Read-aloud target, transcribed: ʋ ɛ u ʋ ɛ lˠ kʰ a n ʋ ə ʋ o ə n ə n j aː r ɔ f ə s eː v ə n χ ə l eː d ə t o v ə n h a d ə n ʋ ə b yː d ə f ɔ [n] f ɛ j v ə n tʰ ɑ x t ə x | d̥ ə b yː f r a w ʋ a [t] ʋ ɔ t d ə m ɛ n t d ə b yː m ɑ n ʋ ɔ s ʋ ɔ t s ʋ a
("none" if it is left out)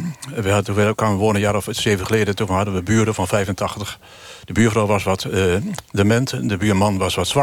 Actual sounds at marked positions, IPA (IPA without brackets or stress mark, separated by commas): n, s